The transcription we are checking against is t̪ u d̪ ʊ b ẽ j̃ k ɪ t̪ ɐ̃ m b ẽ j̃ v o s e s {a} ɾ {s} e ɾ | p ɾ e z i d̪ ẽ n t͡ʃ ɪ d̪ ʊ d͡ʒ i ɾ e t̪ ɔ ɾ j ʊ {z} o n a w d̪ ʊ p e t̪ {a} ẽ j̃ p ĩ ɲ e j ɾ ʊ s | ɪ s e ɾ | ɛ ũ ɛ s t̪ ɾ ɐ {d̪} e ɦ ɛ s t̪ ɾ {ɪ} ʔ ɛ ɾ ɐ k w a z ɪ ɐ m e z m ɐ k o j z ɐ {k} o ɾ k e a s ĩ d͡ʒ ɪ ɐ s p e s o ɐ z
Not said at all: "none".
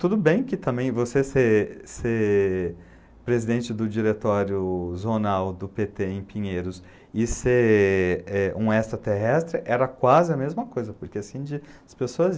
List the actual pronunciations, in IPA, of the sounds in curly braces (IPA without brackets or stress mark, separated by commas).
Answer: e, s, z, e, t̪, ɪ, p